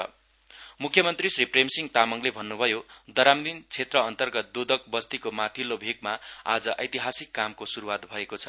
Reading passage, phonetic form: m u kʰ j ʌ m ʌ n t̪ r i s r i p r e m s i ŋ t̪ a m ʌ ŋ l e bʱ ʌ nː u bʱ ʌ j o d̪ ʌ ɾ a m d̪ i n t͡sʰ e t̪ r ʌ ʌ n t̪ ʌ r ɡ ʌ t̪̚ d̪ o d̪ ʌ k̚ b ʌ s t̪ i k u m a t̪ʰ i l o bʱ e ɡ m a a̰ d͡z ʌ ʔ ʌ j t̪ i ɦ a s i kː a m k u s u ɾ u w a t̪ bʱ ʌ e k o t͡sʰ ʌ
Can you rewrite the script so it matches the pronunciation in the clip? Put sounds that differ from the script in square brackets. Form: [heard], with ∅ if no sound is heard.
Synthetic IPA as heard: m u kʰ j ʌ m ʌ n t̪ r i s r i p r e m s i ŋ t̪ a m ʌ ŋ l e bʱ ʌ nː u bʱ ʌ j o d̪ ʌ ɾ a m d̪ i n t͡sʰ e t̪ r ʌ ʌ n t̪ ʌ r ɡ ʌ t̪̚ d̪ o d̪ ʌ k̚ b ʌ s t̪ i k [o] m a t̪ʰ i l o bʱ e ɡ m a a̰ d͡z ʌ ʔ ʌ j t̪ i ɦ a s i kː a m k [o] s u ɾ u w a t̪ bʱ ʌ e k o t͡sʰ ʌ